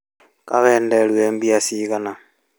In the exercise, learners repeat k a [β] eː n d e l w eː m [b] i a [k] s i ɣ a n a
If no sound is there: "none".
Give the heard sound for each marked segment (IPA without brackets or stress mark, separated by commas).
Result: β, b, none